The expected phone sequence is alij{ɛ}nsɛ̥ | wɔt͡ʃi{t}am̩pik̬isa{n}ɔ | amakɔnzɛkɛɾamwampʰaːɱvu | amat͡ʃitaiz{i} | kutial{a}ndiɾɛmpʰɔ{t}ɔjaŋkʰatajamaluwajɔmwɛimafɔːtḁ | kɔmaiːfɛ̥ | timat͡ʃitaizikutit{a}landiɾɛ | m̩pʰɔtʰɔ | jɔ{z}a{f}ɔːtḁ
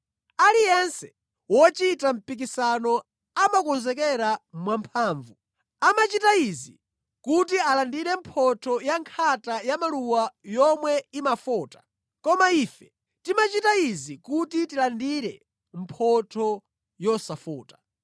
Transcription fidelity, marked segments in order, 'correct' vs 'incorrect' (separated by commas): correct, correct, correct, correct, correct, incorrect, incorrect, incorrect, correct